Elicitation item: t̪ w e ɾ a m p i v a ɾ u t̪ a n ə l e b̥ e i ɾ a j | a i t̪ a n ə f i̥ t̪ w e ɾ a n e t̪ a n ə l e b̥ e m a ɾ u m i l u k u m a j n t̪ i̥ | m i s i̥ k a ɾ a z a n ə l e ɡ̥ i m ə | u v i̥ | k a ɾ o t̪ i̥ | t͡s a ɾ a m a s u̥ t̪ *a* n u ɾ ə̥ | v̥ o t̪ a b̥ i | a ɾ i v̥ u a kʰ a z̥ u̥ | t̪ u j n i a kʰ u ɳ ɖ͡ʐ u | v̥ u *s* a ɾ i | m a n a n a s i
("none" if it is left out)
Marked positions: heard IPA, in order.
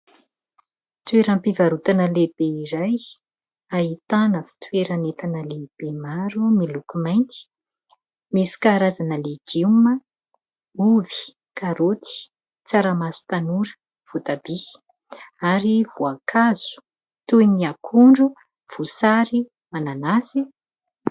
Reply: a, s

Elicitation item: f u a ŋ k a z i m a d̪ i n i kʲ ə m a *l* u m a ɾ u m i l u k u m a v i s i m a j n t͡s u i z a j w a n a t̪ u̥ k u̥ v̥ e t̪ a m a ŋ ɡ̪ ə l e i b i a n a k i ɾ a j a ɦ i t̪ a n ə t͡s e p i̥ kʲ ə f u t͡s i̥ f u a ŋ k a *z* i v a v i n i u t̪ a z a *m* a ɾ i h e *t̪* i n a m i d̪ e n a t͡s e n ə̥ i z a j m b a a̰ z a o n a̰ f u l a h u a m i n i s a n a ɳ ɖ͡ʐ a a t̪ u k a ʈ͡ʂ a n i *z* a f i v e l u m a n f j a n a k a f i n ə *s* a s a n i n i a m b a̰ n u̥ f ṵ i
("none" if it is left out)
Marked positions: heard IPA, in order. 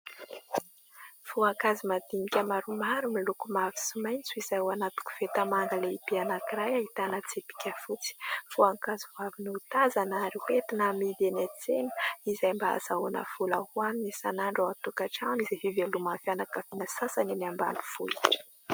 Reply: ɾ, z, n, t̪, z, s

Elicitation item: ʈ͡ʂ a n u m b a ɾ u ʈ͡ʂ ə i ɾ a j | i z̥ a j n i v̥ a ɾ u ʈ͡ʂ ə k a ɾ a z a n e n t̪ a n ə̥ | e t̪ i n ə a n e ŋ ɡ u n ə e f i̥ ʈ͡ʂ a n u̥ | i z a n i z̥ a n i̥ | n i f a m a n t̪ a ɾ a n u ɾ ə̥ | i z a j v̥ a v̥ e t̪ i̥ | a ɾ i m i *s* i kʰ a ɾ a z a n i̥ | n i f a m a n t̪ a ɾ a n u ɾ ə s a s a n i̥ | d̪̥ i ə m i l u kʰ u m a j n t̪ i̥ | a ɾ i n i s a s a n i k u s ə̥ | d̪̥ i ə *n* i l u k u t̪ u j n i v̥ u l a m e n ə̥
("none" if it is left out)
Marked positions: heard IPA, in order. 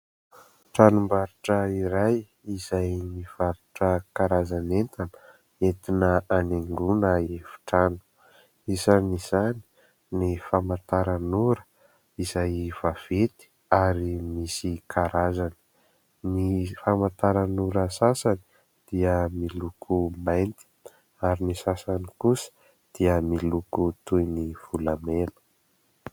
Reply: s, m

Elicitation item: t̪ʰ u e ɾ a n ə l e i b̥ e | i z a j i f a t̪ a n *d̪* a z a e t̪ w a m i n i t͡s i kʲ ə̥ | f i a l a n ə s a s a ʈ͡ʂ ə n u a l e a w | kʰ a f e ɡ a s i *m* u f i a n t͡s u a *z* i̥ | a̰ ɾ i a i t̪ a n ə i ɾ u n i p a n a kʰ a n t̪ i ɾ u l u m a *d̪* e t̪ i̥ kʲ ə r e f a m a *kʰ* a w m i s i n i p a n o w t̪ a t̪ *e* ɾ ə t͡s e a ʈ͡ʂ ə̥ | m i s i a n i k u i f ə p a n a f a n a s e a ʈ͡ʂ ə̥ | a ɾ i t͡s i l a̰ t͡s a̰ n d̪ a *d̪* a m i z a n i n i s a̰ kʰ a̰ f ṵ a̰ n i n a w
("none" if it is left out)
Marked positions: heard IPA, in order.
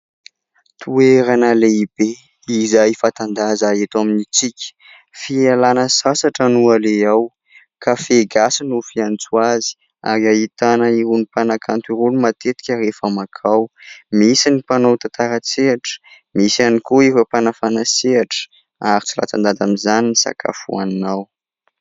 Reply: d̪, n, z, t̪, kʰ, a, d̪

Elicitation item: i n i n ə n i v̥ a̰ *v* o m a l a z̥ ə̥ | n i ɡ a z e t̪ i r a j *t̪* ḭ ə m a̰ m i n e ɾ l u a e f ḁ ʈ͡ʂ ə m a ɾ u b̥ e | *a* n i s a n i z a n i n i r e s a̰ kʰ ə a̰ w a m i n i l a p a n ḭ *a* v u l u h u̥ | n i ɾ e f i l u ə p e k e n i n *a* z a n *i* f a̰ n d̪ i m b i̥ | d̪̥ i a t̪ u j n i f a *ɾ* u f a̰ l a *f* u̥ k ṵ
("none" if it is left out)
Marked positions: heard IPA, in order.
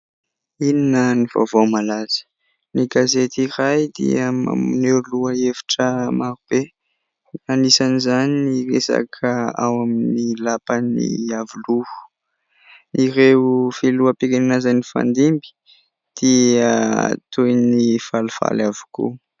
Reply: v, d̪, a, a, a, i, l, v

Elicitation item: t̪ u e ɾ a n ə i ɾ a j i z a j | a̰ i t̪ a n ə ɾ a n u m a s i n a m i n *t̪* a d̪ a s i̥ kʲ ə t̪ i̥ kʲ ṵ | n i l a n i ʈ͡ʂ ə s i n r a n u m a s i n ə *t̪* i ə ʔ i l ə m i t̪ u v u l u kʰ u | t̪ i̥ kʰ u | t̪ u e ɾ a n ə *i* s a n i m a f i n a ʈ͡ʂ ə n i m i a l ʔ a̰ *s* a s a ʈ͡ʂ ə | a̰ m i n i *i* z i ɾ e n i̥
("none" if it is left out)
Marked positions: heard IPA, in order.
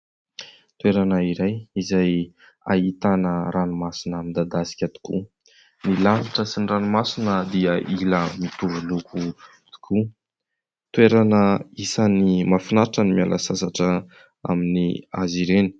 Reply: d̪, d̪, i, s, a

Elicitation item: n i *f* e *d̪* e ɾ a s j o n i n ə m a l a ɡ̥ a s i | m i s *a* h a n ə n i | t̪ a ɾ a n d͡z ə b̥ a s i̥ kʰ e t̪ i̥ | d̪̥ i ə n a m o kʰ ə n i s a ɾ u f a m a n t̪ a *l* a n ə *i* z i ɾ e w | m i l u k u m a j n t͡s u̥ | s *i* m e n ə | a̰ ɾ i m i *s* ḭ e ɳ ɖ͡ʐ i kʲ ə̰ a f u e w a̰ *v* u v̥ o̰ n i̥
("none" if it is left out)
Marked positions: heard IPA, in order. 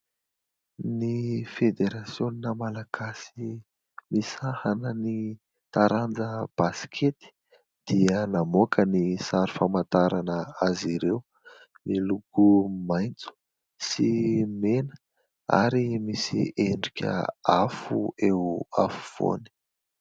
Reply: f, d̪, a, ɾ, a, i, s, f

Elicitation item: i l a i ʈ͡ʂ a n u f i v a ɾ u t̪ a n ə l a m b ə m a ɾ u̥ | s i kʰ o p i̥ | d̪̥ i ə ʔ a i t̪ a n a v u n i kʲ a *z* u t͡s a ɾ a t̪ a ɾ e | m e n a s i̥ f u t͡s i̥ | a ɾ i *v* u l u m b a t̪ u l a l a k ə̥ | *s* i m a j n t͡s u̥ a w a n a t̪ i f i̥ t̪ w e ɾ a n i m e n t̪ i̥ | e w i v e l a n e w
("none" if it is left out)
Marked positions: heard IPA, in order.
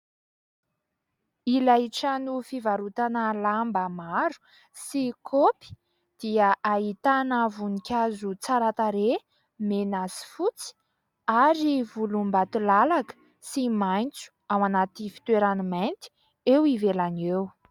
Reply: z, v, s

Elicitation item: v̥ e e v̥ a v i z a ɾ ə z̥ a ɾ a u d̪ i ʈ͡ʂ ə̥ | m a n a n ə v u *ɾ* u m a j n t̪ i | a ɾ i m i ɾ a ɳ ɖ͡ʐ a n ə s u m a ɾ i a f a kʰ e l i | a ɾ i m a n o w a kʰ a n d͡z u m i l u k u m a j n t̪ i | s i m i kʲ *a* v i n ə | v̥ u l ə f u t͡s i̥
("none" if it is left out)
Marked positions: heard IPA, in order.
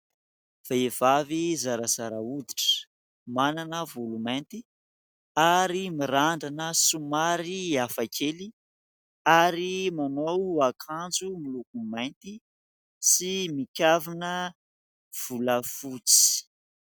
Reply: l, a

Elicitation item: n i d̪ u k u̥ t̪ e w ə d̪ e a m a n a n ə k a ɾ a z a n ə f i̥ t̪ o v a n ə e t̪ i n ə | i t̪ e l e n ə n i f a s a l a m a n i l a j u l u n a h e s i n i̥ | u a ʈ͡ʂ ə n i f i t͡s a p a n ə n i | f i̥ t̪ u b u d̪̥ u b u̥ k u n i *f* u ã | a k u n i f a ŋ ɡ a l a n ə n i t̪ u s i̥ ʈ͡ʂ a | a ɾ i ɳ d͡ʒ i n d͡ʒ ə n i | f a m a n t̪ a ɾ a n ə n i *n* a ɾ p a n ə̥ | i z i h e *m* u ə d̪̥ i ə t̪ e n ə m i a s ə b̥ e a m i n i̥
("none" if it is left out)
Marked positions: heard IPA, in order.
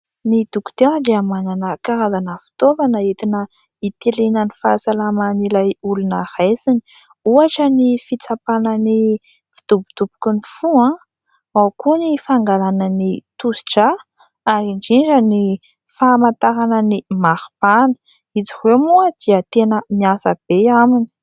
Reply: f, m, m

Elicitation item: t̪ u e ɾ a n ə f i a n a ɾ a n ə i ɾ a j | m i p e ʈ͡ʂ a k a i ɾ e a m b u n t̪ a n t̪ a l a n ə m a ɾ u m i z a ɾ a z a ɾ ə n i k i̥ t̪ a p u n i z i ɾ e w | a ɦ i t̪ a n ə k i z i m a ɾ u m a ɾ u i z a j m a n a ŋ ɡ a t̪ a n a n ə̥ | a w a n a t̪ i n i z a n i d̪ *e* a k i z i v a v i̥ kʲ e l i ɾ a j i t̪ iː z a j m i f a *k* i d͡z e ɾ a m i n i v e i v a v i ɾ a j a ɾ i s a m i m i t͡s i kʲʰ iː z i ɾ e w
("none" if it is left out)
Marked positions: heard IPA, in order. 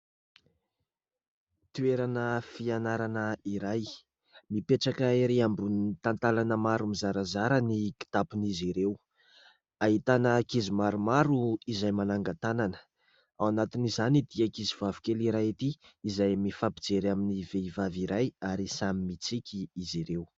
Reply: i, p

